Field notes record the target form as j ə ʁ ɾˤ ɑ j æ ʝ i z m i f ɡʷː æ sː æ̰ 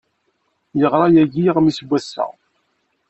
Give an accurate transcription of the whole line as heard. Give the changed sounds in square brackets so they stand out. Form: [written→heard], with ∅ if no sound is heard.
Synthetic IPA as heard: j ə ʁ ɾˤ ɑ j æ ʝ i [z→ʁ] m i [f→s] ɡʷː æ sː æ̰